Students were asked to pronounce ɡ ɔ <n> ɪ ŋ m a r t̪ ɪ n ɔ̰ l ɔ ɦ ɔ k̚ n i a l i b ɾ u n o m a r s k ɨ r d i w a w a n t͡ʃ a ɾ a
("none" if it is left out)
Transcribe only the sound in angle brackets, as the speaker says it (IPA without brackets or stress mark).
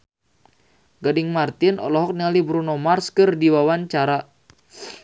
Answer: d